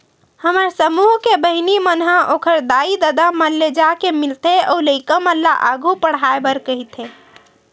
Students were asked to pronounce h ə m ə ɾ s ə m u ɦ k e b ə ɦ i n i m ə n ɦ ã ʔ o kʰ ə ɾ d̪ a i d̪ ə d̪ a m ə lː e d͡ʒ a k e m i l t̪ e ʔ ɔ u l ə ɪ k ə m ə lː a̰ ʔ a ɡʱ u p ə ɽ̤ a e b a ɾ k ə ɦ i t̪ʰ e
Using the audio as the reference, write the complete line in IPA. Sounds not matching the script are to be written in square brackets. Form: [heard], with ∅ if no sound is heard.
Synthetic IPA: h ə m ə ɾ s ə m u ɦ k e b ə ɦ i n i m ə n ɦ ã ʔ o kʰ ə ɾ d̪ a i d̪ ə d̪ a m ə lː e d͡ʒ a k e m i l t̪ e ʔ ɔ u l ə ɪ k ə m ə lː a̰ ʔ a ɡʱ u p ə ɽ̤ a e b [ə] ɾ k ə ɦ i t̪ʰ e